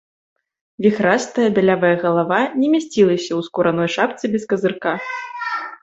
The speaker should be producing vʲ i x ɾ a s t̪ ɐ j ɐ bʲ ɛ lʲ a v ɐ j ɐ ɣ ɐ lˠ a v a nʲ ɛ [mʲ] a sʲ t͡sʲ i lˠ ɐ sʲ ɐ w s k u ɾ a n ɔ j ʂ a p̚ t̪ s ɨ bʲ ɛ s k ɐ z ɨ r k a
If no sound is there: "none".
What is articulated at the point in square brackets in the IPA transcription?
mʲ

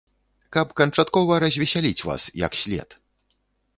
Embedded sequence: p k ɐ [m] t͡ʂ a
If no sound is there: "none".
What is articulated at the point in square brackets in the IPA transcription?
n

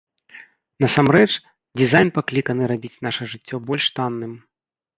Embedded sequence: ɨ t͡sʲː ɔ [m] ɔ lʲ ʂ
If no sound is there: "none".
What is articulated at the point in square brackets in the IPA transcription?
b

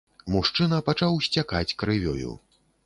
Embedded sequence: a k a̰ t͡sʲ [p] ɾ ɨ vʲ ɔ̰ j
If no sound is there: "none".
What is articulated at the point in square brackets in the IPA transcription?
k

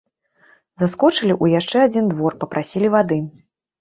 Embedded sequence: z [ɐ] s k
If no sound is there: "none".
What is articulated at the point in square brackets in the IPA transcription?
a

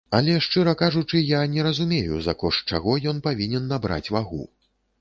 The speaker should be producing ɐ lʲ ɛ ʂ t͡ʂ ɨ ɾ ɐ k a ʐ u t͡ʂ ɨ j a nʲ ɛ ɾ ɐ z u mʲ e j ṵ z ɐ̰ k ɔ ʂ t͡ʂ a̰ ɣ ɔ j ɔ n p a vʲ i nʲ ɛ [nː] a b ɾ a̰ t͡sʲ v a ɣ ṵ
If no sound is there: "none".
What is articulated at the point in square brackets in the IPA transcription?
nː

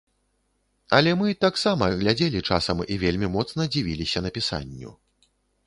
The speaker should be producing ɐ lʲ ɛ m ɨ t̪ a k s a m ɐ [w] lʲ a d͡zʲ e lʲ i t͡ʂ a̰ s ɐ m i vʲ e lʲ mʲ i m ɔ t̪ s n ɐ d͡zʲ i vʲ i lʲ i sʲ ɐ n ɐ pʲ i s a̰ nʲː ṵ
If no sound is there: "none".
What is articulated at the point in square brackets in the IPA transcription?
ɣ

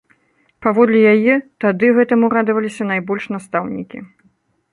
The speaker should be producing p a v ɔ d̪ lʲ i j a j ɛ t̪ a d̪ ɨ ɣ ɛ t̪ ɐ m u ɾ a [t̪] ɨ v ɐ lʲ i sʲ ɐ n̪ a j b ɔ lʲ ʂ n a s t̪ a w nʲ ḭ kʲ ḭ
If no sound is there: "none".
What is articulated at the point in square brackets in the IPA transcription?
d̪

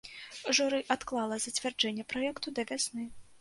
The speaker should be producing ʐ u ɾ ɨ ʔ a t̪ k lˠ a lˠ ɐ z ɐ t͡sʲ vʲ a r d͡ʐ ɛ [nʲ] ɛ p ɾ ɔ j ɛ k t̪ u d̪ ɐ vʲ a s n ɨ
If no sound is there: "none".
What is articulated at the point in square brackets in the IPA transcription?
nʲː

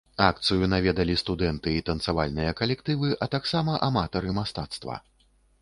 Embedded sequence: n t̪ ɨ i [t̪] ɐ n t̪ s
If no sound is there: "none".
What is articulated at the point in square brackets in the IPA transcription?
t̪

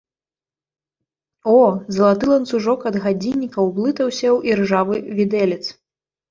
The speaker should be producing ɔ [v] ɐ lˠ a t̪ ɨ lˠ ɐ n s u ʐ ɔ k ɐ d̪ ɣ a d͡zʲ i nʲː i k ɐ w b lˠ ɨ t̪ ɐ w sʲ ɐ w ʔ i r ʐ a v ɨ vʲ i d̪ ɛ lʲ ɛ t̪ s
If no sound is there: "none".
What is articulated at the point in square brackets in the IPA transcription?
z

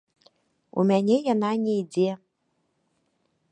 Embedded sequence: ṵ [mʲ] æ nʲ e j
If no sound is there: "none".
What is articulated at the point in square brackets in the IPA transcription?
mʲ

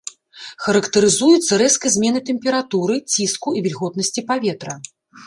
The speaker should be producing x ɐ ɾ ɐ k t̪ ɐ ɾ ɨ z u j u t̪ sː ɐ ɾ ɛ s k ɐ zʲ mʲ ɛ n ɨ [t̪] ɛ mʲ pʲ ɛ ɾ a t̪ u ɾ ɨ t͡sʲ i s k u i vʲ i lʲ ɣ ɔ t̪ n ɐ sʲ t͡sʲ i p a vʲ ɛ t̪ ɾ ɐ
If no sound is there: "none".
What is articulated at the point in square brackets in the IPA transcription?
t̪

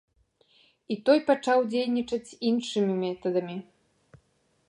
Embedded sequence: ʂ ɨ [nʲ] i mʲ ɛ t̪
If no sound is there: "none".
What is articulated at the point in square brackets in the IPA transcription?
mʲ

